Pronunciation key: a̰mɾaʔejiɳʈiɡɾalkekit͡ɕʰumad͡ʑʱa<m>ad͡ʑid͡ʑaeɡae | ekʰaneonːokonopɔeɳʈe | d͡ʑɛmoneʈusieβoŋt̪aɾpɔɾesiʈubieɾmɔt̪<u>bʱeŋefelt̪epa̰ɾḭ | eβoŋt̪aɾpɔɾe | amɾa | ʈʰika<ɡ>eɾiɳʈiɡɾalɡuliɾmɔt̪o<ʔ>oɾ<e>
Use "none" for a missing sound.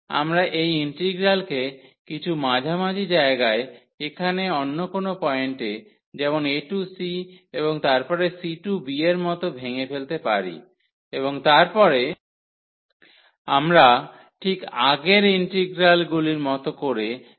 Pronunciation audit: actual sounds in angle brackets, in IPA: m, o, ɡ, k, e

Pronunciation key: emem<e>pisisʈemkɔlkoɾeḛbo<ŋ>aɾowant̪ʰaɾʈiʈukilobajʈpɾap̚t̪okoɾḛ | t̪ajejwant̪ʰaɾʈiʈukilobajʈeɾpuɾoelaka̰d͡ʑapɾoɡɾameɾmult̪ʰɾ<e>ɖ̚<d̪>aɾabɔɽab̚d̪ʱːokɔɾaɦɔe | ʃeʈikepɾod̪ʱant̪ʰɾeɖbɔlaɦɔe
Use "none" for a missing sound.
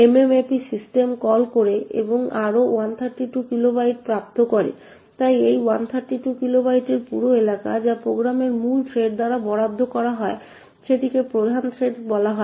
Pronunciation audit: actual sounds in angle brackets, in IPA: e, ŋ, e, d̪

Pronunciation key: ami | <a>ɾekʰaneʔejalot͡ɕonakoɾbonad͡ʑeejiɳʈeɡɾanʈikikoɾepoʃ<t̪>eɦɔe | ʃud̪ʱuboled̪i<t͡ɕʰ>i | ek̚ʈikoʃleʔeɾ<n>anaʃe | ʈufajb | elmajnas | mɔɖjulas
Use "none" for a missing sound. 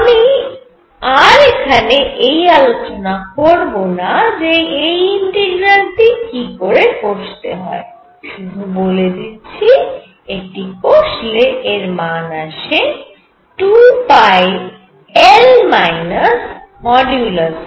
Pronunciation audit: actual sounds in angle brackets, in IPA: a, t̪, t͡ɕʰ, m

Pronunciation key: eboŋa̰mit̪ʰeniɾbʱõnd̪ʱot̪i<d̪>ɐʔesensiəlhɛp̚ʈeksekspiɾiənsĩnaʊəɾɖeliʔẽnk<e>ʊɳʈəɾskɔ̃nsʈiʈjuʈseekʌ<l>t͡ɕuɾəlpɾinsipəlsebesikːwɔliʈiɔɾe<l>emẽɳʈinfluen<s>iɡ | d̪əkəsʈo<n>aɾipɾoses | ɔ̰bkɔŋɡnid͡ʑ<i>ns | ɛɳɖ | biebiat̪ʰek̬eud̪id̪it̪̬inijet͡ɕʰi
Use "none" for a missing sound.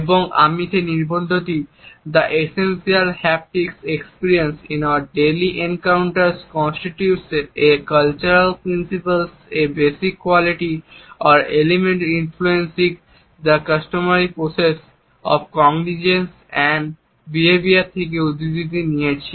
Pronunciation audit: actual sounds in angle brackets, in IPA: d̪, a, l, l, s, m, e

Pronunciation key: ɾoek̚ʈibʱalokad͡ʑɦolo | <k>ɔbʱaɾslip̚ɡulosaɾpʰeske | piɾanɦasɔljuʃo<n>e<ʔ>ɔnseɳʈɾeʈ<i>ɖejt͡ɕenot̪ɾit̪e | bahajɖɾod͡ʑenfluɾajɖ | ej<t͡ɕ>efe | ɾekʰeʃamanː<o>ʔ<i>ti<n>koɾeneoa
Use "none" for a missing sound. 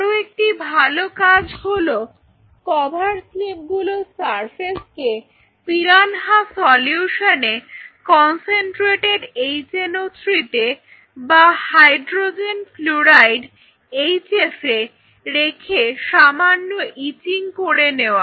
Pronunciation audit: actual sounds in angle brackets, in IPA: k, n, k, e, t͡ɕ, o, i, ŋ

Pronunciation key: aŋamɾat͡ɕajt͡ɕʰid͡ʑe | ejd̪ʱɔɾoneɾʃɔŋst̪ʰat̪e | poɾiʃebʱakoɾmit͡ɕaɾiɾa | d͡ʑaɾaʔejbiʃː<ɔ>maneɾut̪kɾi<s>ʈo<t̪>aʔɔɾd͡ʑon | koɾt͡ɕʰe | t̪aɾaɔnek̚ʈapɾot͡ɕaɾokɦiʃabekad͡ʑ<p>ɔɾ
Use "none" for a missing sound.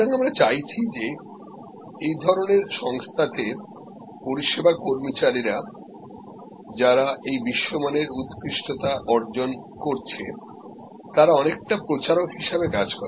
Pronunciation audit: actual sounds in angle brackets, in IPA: o, ʃ, t̪, k

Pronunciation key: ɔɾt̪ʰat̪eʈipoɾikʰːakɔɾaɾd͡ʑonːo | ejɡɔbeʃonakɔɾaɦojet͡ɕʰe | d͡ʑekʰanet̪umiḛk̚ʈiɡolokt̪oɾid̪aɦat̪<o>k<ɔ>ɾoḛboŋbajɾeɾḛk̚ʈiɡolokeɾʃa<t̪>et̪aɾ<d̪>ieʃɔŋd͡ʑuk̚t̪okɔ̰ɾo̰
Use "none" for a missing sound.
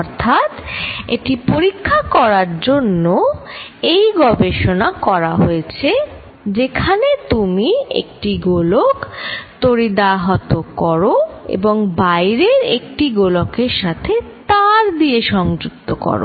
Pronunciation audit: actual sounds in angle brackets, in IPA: o, ɔ, t̪ʰ, d̪

